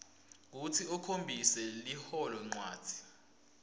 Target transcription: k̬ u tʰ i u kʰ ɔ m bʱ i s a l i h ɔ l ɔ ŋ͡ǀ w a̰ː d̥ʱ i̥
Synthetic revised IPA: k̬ u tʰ i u kʰ o m bʱ i s ɛ l i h ɔ l ɔ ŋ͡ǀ w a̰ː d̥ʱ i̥